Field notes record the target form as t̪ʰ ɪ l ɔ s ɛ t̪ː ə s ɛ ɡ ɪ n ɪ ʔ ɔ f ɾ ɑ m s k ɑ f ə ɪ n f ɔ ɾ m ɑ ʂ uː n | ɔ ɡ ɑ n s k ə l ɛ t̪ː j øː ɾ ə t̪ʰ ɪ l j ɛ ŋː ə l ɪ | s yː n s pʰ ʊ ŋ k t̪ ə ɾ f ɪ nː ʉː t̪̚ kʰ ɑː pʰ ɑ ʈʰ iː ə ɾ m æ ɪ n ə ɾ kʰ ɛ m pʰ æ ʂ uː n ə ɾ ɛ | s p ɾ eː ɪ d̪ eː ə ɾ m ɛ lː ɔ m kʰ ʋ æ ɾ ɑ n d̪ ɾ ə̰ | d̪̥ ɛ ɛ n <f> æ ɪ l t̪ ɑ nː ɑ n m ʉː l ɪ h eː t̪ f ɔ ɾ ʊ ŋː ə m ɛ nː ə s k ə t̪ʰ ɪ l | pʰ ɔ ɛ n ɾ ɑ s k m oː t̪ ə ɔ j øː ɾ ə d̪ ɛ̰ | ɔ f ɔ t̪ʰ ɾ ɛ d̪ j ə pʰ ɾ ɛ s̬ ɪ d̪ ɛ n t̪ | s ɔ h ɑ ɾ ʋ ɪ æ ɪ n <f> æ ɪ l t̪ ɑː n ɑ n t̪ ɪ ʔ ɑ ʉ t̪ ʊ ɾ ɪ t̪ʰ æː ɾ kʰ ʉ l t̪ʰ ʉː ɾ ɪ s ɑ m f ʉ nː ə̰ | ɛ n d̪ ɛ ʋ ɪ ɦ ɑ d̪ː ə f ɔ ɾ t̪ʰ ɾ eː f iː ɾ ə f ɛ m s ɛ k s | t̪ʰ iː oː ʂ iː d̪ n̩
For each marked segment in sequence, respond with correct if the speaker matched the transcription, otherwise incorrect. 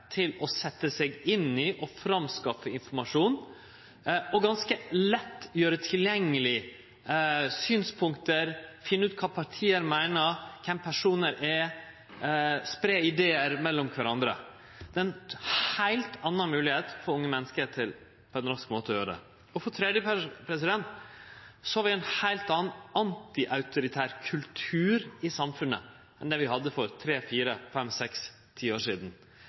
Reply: incorrect, incorrect

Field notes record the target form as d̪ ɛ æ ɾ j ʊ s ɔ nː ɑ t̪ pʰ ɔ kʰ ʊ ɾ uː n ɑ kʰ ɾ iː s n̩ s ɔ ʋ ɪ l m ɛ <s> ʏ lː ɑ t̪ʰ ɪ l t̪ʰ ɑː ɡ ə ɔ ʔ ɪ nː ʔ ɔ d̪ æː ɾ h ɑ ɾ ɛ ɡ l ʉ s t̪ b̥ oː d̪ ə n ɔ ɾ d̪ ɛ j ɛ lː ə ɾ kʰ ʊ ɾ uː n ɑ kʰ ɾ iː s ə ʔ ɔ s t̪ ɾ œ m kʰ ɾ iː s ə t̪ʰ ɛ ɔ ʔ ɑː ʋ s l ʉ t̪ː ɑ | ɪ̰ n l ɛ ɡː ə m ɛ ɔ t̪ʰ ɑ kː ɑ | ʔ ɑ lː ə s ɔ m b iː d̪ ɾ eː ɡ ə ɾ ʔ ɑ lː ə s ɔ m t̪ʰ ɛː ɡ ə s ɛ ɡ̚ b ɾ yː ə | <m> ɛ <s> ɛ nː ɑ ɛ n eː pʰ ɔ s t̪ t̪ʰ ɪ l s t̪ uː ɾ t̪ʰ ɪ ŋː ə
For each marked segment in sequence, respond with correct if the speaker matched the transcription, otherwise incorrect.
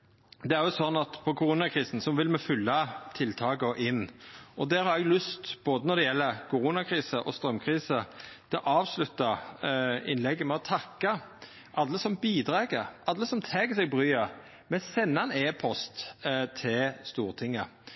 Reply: incorrect, correct, correct

